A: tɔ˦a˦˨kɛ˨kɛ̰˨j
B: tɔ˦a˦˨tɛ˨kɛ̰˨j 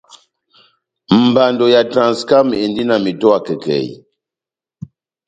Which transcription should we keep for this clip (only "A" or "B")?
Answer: A